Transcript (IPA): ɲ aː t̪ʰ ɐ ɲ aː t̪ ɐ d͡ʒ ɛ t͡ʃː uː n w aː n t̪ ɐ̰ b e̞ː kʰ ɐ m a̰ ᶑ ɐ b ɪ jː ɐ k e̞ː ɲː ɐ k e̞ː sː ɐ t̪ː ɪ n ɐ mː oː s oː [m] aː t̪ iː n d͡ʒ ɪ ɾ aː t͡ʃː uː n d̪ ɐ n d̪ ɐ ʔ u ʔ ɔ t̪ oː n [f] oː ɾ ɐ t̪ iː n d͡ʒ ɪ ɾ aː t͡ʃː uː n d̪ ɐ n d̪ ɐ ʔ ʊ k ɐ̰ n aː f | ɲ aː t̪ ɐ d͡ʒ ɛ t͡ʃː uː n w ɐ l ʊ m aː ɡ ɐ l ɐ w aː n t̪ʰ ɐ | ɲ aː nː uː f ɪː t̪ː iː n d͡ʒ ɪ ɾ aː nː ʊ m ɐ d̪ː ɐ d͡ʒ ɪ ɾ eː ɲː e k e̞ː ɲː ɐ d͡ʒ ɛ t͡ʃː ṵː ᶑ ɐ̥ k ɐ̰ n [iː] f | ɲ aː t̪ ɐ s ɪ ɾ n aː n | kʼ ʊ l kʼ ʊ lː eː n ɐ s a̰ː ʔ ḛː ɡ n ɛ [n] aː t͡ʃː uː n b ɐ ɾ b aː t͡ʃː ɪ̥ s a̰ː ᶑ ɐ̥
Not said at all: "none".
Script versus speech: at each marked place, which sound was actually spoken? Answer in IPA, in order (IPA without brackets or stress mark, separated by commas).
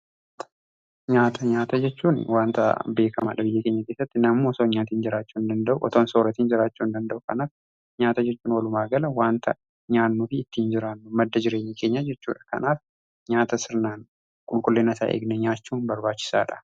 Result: ɲ, s, aː, ɲ